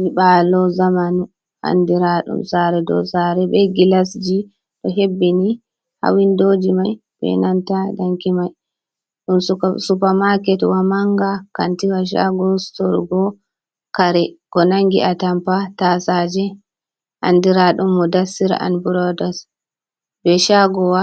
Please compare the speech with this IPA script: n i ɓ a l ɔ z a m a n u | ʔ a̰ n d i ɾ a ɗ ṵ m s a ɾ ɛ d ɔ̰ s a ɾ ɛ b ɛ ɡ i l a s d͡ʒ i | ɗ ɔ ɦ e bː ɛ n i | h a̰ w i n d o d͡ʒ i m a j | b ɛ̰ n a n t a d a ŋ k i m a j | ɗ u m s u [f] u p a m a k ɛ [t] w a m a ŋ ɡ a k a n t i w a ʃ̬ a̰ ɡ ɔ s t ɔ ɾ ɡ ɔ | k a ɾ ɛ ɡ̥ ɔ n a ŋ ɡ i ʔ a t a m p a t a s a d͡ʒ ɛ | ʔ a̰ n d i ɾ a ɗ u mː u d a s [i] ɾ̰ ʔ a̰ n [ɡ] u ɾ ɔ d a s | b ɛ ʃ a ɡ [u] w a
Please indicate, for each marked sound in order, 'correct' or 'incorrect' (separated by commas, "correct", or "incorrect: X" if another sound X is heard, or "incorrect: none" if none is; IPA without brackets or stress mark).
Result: incorrect: s, correct, correct, incorrect: b, incorrect: ɔ